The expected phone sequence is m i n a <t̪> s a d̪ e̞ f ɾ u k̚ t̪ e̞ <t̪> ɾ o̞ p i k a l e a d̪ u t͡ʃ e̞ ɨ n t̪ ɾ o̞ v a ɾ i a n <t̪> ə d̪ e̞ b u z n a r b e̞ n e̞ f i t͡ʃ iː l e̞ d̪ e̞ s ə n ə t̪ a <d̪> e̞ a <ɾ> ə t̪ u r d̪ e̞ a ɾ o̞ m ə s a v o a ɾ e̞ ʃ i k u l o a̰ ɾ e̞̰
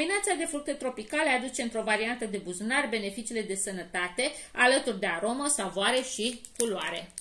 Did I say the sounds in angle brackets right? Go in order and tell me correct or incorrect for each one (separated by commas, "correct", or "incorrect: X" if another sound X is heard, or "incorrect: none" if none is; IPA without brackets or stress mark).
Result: correct, correct, correct, incorrect: t̪, incorrect: l